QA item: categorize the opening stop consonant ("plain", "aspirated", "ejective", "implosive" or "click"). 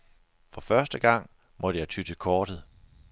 plain